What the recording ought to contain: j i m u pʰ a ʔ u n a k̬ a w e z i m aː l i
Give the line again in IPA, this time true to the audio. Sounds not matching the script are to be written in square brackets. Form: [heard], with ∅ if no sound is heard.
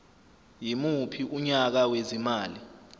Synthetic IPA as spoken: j i m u pʰ [i] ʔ u [ɲ] a k̬ a w e z i m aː l i